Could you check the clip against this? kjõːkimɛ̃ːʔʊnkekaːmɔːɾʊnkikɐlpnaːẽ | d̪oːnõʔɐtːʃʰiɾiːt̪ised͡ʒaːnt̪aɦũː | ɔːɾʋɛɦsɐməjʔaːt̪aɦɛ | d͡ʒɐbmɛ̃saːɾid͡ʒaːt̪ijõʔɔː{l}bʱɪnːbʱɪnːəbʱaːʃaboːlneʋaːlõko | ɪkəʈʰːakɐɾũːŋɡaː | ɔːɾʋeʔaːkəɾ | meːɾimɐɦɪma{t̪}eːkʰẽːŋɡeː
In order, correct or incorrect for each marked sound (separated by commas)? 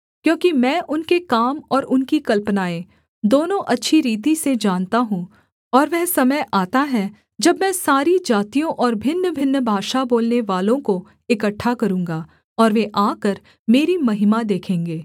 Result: incorrect, incorrect